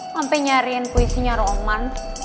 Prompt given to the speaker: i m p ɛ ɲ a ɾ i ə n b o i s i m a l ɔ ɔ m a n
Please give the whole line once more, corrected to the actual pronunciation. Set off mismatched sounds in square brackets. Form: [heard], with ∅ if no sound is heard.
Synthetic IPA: [a] m p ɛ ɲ a ɾ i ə n [p] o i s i [ɲ] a [ɾ] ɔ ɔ m a n